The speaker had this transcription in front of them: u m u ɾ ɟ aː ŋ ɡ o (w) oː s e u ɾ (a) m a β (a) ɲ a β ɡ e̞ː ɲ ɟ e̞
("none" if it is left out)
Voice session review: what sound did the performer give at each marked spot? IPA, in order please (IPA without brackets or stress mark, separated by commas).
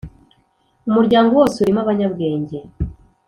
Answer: w, i, a